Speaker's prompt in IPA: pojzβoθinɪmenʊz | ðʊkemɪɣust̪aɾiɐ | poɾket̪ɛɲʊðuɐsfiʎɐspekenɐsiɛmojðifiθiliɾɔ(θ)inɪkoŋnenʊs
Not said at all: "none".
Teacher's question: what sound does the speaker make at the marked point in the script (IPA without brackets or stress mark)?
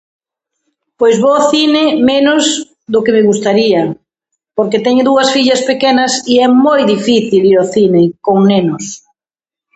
θ